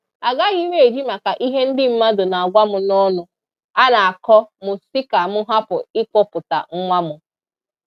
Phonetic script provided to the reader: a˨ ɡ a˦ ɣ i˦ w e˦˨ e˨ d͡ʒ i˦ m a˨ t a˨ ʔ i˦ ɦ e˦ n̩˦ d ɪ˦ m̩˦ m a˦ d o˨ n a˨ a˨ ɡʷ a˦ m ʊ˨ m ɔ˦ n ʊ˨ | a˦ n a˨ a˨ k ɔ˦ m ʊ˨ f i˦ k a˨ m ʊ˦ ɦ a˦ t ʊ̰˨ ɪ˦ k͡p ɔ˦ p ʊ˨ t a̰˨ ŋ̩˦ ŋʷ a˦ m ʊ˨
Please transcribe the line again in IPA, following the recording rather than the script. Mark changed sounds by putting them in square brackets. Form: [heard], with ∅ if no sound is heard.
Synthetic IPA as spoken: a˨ ɡ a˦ ɣ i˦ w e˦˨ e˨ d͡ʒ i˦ m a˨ [k] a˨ ʔ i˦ ɦ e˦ n̩˦ d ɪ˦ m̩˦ m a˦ d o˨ n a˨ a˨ ɡʷ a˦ m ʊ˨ [n] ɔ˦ n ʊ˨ | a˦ n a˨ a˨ k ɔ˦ m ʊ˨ [s] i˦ k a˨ m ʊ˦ ɦ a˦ [p] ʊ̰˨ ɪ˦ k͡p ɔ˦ p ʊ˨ t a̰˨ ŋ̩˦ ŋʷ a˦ m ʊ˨